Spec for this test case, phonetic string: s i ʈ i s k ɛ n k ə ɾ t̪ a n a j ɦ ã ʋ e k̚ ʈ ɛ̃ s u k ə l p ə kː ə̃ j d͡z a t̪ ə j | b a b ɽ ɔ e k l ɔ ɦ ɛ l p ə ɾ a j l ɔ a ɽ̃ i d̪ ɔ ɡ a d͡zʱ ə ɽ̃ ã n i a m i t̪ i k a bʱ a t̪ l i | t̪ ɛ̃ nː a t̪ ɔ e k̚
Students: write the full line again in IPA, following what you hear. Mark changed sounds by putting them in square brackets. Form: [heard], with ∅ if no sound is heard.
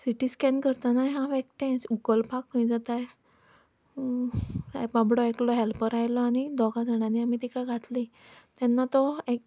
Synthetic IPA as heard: s i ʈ i s k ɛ n k ə ɾ t̪ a n a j ɦ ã ʋ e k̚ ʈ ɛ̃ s u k ə l p [a] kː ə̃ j d͡z a t̪ [a] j | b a b ɽ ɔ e k l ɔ ɦ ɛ l p ə ɾ a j l ɔ a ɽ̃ i d̪ ɔ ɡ a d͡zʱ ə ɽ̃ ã n i a m i t̪ i k a [ɡʱ] a t̪ l i | t̪ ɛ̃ nː a t̪ ɔ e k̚

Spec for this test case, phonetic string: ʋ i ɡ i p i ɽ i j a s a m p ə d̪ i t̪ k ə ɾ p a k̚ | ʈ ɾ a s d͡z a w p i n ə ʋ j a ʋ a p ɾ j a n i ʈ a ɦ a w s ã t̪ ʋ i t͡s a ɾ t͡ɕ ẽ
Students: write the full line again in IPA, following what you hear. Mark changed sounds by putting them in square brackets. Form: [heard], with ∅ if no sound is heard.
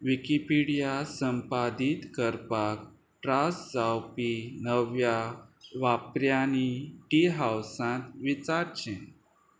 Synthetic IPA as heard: ʋ i [k] i p i ɽ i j a s [ə] m p [a] d̪ i t̪ k ə ɾ p a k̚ | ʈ ɾ a s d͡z a w p i n ə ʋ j a ʋ a p ɾ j a n i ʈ [i] ɦ a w s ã t̪ ʋ i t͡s a ɾ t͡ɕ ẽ

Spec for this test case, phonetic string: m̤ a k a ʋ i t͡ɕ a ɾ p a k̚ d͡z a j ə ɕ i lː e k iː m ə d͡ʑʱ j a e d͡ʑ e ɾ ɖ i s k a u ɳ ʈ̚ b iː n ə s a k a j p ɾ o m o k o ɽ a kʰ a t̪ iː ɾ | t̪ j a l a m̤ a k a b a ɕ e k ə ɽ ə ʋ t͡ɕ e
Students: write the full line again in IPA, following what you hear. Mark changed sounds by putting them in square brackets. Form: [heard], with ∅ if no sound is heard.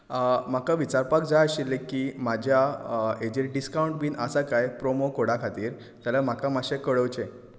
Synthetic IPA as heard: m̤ a k a ʋ i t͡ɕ a ɾ p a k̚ d͡z a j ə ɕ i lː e k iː m [a] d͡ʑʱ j a e d͡ʑ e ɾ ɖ i s k a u ɳ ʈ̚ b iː n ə s a k a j p ɾ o m o k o ɽ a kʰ a t̪ iː ɾ | t̪ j a l a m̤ a k a [m] a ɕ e k ə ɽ ə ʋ t͡ɕ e

